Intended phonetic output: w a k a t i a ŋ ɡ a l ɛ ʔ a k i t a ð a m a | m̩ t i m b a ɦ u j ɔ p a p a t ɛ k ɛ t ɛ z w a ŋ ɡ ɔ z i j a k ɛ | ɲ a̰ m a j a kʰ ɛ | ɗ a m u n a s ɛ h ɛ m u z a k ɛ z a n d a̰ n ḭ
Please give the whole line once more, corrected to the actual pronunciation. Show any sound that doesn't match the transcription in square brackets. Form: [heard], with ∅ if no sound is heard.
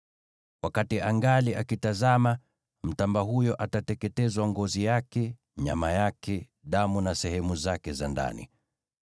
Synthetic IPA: w a k a t i a ŋ ɡ a l [i] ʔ a k i t a [z] a m a | m̩ t [a] m b a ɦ u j ɔ [ʔ] a [t] a t ɛ k ɛ t ɛ z w a ŋ ɡ ɔ z i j a k ɛ | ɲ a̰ m a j a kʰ ɛ | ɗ a m u n a s ɛ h ɛ m u z a k ɛ z a n d a̰ n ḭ